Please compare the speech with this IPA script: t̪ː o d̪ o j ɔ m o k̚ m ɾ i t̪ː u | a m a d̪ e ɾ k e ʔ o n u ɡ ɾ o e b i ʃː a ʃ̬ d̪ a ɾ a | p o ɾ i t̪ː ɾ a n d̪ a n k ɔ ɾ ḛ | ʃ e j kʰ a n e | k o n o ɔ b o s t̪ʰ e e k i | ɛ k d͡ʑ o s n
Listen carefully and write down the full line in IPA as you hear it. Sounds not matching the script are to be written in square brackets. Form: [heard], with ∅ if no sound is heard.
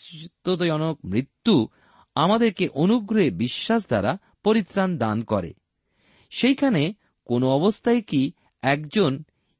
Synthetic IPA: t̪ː o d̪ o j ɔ [n] o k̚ m ɾ i t̪ː u | a m a d̪ e ɾ k e ʔ o n u ɡ ɾ o e b i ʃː a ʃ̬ d̪ a ɾ a | p o ɾ i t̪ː ɾ a n d̪ a n k ɔ ɾ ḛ | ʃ e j kʰ a n e | k o n o ɔ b o s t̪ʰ [a] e k i | ɛ k d͡ʑ o [∅] n